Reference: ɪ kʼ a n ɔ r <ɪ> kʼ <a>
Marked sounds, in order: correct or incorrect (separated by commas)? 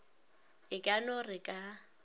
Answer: correct, correct